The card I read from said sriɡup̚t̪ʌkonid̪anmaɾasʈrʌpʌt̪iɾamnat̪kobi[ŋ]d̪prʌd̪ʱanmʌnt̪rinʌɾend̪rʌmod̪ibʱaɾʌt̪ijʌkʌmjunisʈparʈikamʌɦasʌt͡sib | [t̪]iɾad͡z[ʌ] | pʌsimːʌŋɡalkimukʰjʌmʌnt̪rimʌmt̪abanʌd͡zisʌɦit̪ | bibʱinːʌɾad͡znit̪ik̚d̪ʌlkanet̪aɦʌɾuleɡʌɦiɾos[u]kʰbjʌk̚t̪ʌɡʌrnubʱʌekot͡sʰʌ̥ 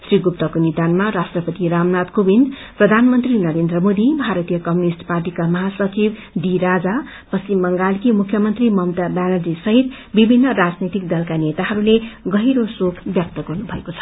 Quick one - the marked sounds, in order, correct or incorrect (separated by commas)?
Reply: incorrect, incorrect, incorrect, incorrect